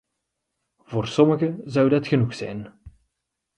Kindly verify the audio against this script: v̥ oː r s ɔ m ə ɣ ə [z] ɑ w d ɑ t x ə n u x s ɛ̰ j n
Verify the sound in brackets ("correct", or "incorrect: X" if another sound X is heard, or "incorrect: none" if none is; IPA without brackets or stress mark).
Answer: correct